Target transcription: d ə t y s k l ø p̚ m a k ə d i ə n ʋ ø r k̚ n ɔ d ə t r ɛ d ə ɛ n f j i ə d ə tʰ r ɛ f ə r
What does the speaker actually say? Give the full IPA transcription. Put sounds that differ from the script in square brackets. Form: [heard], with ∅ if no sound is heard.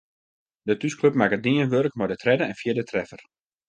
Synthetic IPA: d ə t y s k l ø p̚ m a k ə d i ə n ʋ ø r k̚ [m] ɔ d ə t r ɛ d ə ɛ n f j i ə d ə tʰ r ɛ f ə r